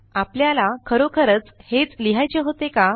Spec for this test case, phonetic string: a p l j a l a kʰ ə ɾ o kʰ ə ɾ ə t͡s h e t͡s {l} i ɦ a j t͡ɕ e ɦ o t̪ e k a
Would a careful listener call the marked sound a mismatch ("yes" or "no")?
no